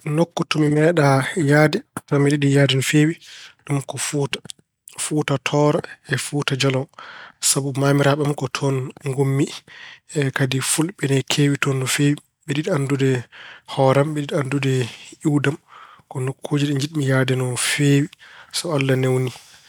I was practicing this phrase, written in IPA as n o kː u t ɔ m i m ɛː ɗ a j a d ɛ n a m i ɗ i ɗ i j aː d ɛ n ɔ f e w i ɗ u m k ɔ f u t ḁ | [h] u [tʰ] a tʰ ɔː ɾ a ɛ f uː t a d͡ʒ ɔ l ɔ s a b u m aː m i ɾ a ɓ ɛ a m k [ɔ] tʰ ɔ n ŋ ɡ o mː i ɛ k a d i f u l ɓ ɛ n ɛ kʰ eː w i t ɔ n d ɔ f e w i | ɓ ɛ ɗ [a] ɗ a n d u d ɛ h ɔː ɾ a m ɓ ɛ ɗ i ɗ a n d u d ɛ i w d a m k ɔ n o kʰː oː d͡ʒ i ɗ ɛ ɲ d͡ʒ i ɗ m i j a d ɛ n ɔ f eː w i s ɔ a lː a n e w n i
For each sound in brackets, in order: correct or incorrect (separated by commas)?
incorrect, incorrect, correct, incorrect